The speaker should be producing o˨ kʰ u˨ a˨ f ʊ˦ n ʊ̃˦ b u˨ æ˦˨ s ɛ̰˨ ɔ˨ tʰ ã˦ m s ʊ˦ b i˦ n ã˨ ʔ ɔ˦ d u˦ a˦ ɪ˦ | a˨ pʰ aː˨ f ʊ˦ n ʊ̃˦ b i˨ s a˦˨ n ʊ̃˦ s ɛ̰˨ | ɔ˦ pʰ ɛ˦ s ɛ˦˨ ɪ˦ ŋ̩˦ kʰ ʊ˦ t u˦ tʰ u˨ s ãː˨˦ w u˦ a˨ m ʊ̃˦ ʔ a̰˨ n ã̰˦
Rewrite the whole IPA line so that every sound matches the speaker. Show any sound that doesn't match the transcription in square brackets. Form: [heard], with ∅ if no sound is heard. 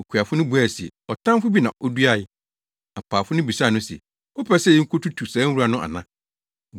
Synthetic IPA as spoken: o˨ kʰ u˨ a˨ f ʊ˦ n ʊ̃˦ b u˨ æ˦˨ s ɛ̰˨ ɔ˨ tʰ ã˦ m [f] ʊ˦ b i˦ n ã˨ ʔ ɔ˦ d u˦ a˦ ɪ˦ | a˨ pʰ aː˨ f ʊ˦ n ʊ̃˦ b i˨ s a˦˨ n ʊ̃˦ s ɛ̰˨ | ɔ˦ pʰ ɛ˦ s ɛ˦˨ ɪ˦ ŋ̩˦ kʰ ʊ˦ t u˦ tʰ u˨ s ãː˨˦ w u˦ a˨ [n] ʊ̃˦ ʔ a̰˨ n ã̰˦

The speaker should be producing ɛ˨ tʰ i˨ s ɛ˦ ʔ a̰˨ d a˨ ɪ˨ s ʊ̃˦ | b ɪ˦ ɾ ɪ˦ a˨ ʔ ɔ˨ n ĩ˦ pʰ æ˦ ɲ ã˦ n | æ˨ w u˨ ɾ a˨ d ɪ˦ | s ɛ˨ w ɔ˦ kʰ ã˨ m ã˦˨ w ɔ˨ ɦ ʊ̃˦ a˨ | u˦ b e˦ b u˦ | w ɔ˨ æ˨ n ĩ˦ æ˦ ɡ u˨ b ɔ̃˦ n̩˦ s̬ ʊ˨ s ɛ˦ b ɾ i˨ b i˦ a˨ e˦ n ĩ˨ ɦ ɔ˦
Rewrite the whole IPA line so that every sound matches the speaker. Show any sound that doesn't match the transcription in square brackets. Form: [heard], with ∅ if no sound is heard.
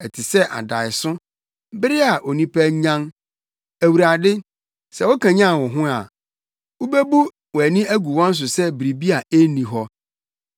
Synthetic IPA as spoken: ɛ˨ tʰ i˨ s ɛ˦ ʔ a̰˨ d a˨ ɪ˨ s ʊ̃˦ | b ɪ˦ ɾ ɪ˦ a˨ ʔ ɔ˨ n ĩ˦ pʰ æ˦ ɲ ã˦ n | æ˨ w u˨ ɾ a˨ d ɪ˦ | s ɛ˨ w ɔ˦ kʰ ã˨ [ɲ] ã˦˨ w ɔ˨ ɦ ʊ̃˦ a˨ | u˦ b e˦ b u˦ | w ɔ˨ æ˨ n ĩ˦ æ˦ ɡ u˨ [w] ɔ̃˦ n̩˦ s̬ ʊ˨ s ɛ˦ b ɾ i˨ b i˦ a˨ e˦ n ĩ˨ ɦ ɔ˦

